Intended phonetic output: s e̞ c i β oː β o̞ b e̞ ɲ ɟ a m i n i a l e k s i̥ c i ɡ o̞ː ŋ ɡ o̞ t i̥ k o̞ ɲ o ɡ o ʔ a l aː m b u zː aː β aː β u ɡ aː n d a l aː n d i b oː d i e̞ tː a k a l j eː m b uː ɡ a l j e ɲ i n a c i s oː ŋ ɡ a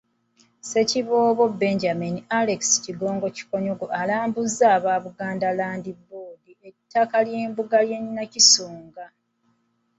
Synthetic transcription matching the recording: s e̞ c i β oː β o̞ b e̞ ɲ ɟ a m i n i a l e k s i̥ c i ɡ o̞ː ŋ ɡ o̞ c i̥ k o̞ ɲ o ɡ o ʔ a l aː m b u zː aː β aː β u ɡ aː n d a l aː n d i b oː d i e̞ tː a k a l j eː m b u ɡ a l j e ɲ i n a c i s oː ŋ ɡ a